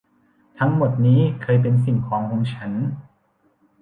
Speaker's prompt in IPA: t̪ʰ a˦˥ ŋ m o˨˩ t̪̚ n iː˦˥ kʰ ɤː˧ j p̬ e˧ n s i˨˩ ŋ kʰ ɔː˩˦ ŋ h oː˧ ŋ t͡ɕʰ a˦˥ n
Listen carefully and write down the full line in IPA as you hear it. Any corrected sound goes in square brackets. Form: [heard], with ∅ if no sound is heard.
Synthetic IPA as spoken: t̪ʰ a˦˥ ŋ m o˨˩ t̪̚ n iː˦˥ kʰ ɤː˧ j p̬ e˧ n s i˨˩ ŋ kʰ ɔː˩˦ ŋ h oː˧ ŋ t͡ɕʰ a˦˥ n